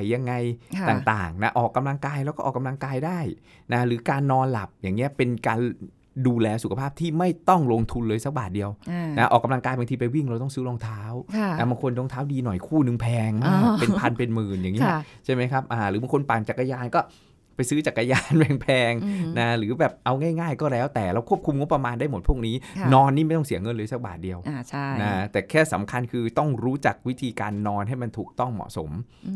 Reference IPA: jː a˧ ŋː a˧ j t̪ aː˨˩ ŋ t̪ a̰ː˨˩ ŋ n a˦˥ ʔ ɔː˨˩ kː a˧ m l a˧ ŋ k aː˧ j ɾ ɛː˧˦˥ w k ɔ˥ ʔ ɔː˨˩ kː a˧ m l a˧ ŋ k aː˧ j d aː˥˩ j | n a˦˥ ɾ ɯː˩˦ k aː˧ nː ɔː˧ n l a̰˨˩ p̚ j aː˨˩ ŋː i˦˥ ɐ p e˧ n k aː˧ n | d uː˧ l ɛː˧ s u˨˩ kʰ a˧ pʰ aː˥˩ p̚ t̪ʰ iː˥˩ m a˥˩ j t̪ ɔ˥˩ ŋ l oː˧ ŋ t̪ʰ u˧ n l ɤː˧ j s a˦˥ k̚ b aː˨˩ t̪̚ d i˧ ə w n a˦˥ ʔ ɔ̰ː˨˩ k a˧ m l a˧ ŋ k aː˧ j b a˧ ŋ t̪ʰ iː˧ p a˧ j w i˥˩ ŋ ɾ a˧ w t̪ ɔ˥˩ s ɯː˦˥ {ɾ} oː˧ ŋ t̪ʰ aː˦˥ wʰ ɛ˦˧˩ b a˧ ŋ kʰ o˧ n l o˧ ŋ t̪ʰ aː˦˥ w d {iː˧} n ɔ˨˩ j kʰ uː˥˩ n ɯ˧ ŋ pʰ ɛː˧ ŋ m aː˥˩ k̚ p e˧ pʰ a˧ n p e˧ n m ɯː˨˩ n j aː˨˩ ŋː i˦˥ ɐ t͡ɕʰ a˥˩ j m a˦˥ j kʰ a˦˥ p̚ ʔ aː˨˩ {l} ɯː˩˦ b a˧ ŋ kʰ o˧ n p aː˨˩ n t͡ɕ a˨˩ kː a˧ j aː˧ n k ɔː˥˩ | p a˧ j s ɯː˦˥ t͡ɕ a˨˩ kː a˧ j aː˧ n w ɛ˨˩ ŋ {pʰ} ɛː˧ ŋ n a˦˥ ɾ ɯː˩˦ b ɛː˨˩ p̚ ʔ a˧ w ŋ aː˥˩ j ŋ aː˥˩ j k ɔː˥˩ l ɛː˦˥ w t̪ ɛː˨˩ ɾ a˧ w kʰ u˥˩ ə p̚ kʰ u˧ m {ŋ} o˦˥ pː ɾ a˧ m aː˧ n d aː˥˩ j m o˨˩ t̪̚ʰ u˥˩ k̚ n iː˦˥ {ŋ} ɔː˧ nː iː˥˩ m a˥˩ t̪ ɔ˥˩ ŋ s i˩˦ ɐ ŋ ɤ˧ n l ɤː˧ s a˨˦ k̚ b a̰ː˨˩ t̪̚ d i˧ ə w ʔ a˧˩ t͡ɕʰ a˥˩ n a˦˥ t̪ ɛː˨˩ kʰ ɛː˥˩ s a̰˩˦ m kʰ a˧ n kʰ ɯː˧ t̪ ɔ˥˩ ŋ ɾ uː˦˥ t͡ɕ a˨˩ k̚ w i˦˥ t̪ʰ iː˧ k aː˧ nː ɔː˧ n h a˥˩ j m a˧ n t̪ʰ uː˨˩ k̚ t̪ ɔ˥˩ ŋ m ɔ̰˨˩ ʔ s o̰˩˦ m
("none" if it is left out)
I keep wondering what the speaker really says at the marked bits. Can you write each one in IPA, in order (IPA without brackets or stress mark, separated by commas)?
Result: l, iː˧, ɾ, pʰ, ŋ, n